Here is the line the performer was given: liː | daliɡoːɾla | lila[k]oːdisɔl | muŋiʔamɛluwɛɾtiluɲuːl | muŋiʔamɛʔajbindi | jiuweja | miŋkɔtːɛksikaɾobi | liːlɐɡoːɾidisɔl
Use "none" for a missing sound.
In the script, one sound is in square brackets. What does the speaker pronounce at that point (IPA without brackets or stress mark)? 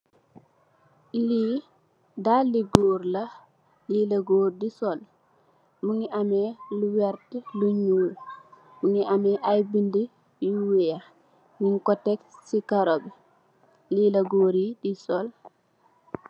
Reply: ɡ